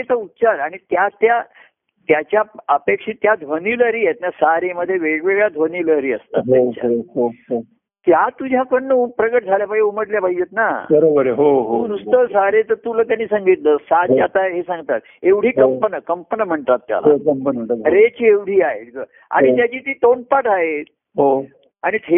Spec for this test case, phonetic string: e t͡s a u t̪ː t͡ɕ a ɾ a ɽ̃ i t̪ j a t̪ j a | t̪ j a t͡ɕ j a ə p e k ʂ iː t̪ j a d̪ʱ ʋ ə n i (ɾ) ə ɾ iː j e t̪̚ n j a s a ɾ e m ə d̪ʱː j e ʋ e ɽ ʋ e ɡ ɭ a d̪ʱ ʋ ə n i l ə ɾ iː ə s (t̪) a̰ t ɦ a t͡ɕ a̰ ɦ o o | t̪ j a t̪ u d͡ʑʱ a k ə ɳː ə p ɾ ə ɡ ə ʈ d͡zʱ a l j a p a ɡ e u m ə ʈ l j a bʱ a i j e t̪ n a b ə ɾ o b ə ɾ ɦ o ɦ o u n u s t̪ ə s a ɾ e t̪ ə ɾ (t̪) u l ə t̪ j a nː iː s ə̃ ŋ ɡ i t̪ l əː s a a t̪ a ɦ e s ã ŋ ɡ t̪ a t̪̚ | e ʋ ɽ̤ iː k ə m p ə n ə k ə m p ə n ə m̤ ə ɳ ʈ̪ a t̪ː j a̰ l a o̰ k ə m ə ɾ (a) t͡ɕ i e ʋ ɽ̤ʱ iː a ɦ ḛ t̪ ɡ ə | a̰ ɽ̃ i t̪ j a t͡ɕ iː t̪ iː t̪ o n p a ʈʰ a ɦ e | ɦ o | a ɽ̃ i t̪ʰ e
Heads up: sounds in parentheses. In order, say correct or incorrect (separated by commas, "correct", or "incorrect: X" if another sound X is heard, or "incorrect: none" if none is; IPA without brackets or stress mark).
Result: incorrect: l, correct, correct, incorrect: e